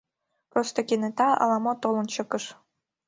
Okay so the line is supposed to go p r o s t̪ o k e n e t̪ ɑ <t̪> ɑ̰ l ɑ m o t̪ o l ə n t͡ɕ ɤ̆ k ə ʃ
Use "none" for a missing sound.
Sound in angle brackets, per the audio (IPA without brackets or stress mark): none